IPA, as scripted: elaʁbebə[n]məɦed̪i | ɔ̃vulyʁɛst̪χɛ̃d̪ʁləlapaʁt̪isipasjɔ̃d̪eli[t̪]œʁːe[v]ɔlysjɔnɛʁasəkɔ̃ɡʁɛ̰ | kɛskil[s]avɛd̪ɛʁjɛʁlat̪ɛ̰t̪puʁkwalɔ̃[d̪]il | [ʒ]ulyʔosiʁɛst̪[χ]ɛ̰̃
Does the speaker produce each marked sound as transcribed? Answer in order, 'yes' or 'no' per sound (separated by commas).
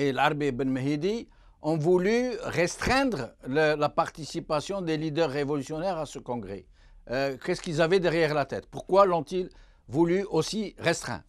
yes, no, yes, no, no, no, yes